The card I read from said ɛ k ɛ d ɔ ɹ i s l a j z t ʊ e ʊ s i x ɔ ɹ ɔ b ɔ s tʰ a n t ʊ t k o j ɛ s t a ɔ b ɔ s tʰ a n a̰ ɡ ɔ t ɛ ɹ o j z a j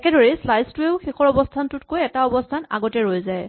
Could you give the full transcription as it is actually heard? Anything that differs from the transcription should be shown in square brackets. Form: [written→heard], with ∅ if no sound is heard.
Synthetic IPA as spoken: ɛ k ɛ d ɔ ɹ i s l a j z t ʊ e ʊ [s→x] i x ɔ ɹ ɔ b ɔ s tʰ a n t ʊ t k o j ɛ [s→∅] t a ɔ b ɔ s tʰ a n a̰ ɡ ɔ t ɛ ɹ o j z a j